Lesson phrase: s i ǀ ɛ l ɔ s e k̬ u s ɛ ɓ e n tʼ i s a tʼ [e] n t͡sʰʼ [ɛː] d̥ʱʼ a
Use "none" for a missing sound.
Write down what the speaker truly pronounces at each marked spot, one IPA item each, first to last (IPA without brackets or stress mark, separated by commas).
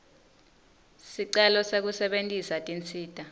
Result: i, iː